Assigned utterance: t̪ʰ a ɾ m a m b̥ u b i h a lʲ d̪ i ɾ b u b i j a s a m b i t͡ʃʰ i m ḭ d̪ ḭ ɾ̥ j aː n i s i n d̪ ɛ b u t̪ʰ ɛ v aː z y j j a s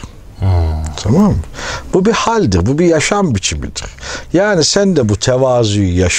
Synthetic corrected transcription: t̪ʰ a m a m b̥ u b i h a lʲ d̪ i ɾ b u b i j a ʃ a m b i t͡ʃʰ i m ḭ d̪ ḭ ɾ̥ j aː n i s æ n d̪ ɛ b u t̪ʰ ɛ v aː z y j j a ʃ